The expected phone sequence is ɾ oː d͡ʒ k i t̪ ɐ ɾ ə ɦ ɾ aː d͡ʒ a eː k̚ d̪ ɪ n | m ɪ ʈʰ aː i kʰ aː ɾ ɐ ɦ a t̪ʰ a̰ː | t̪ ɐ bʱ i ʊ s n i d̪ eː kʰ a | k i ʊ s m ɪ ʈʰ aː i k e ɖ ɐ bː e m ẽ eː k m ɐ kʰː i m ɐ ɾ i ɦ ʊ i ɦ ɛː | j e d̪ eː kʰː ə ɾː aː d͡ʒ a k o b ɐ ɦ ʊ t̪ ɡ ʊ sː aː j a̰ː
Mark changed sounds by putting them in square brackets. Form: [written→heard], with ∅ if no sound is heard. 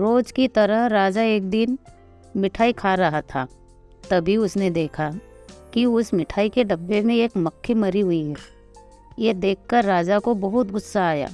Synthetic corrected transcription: ɾ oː d͡ʒ k i t̪ ɐ ɾ ə ɦ ɾ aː d͡ʒ a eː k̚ d̪ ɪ n | m ɪ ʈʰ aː i kʰ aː ɾ ɐ ɦ a t̪ʰ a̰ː | t̪ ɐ bʱ i ʊ s n [i→e] d̪ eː kʰ a | k i ʊ s m ɪ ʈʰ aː i k e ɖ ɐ bː e m ẽ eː k m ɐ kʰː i m ɐ ɾ i ɦ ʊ i ɦ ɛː | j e d̪ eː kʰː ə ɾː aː d͡ʒ a k o b ɐ ɦ ʊ t̪ ɡ ʊ sː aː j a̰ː